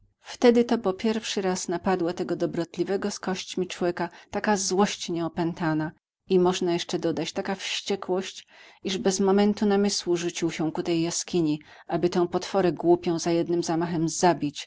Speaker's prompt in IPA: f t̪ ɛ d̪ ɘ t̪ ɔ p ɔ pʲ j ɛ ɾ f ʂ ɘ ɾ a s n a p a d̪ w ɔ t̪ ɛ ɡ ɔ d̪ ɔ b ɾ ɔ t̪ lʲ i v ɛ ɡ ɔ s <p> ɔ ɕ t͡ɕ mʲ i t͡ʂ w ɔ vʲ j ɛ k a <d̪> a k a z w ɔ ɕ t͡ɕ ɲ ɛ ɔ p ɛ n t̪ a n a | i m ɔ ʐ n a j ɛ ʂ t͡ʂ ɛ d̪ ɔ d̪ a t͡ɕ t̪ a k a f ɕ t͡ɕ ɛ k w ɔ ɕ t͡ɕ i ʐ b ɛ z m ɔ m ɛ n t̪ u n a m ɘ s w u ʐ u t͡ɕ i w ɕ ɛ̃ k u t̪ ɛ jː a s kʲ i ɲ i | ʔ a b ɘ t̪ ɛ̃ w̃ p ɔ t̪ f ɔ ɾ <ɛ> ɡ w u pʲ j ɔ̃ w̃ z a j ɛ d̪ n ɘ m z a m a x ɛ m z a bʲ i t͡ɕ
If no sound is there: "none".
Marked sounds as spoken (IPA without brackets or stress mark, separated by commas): k, t̪, ɛ